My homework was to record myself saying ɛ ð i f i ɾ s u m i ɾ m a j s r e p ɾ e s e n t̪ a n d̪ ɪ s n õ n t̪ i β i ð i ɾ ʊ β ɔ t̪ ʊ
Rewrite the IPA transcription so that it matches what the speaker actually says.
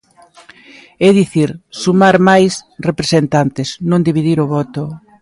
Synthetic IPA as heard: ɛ ð i θ i ɾ s u m a ɾ m a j s r e p ɾ e s e n t̪ a n t̪ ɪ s n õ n d̪ i β i ð i ɾ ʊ β ɔ t̪ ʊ